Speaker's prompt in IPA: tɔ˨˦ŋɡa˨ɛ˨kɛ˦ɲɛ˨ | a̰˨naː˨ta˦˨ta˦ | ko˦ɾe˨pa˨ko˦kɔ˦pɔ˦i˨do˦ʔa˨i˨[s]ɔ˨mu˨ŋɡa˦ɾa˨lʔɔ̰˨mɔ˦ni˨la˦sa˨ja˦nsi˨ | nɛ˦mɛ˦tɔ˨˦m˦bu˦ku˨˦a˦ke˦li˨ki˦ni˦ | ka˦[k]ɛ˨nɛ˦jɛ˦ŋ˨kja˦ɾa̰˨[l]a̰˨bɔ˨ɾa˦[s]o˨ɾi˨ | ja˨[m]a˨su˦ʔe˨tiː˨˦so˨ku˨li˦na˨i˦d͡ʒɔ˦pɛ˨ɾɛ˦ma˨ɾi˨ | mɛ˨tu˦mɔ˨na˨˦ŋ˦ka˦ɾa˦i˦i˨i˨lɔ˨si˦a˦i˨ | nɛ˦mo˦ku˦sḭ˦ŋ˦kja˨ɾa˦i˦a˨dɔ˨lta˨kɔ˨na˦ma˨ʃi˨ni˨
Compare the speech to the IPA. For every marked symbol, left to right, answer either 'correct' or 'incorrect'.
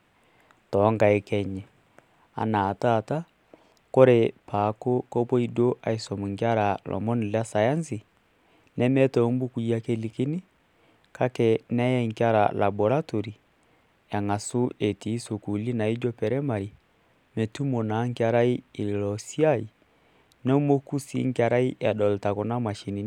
correct, correct, correct, incorrect, incorrect

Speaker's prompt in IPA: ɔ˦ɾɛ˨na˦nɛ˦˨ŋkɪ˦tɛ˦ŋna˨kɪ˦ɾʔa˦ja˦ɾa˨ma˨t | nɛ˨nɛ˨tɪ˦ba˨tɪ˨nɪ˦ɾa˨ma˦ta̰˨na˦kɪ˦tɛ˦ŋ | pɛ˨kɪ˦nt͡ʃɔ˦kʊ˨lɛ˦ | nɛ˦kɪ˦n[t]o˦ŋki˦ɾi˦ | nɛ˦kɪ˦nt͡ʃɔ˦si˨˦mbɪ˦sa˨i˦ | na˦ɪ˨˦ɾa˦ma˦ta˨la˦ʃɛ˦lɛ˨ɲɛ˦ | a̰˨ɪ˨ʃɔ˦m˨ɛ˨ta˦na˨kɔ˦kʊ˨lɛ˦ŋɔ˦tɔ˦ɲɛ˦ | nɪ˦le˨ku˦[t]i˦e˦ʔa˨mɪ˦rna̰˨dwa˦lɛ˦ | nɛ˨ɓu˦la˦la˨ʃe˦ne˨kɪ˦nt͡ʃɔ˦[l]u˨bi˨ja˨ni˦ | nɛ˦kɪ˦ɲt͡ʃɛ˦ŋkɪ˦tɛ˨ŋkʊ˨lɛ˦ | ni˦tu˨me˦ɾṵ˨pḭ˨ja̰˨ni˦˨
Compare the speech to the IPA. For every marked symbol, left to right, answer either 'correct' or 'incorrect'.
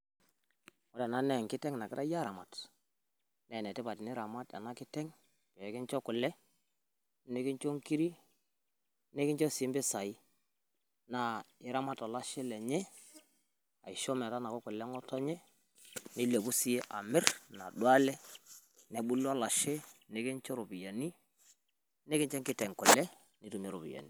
incorrect, incorrect, incorrect

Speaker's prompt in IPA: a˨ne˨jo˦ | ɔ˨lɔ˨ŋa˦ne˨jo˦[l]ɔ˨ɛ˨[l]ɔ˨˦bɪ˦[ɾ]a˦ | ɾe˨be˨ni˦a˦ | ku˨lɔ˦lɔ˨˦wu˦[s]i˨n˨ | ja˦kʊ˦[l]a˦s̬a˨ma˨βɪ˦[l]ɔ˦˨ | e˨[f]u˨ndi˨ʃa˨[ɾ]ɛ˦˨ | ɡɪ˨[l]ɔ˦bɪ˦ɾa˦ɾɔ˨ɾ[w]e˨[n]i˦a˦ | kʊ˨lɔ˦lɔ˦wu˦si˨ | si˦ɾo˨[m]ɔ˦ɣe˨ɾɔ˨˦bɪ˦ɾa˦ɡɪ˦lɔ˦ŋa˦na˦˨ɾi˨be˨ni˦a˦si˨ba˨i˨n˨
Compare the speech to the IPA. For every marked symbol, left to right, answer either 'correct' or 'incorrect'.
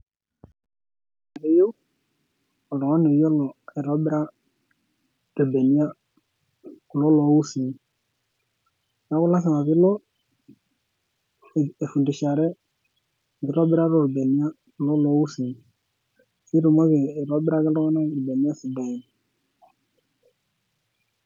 correct, incorrect, correct, correct, correct, correct, correct, correct, incorrect, incorrect, correct, correct

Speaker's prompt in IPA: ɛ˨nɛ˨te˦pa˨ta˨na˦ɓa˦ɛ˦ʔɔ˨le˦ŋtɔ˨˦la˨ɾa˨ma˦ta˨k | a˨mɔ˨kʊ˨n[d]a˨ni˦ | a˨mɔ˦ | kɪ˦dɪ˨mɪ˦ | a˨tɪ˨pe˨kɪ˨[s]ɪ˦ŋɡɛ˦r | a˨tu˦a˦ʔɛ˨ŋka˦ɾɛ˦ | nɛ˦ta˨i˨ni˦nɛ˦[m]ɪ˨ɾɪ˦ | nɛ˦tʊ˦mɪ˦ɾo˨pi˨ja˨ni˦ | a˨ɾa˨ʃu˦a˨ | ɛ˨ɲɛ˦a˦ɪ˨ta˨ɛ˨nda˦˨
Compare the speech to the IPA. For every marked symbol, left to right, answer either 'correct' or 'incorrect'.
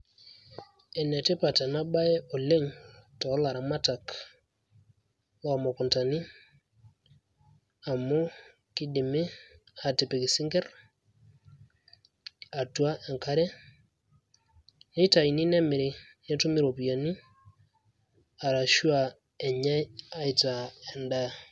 incorrect, correct, correct

